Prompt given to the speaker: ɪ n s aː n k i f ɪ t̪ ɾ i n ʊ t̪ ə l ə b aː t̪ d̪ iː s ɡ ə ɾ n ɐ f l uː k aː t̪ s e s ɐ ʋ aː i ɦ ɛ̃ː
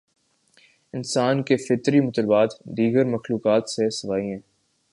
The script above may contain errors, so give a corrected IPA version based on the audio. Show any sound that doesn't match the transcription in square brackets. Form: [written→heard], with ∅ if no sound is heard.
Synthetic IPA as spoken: ɪ n s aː n k [i→e] f ɪ t̪ ɾ i [n→m] ʊ t̪ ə l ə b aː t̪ d̪ iː [s→∅] ɡ ə ɾ [n→m] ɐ [f→x] l uː k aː t̪ s e s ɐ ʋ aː i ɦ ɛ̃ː